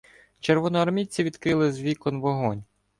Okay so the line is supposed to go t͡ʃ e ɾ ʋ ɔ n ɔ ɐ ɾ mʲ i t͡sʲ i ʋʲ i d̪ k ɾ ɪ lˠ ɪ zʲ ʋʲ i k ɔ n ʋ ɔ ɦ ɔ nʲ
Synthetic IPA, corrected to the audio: t͡ʃ e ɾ ʋ ɔ n ɔ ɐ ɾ mʲ i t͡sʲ i ʋʲ i d̪ k ɾ ɪ lˠ ɪ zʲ ʋʲ i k ɔ n ʋ ɔ ɦ ɔ nʲ